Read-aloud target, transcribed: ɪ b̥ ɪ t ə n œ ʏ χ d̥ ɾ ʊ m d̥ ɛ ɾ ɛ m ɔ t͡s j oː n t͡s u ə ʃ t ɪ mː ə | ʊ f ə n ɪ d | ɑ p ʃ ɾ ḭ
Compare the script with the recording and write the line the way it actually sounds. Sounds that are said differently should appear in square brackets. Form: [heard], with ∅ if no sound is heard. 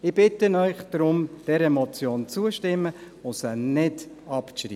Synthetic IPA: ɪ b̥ ɪ t ə n œ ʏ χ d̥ ɾ ʊ m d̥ ɛ ɾ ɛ m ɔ t͡s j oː n t͡s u ə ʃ t ɪ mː ə | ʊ [s] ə n ɪ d | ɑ p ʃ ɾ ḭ